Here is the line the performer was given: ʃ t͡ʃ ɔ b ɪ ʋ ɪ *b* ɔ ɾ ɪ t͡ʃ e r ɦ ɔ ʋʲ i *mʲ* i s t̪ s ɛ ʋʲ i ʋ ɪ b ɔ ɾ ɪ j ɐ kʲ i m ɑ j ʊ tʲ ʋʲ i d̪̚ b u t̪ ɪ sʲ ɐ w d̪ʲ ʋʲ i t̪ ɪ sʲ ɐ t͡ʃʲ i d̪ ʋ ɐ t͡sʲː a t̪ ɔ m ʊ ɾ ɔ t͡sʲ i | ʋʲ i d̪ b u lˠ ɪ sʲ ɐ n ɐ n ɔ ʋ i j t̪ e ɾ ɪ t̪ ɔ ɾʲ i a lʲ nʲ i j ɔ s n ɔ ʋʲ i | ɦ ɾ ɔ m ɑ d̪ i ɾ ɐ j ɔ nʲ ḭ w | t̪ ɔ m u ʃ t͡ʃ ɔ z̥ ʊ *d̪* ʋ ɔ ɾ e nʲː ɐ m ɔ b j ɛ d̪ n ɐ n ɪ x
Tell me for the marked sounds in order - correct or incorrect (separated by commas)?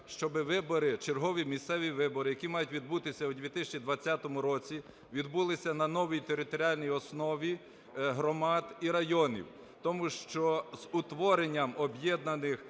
correct, correct, incorrect